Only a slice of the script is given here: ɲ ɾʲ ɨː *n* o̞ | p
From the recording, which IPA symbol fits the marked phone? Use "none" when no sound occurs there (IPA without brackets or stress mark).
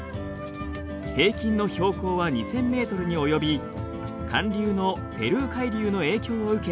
n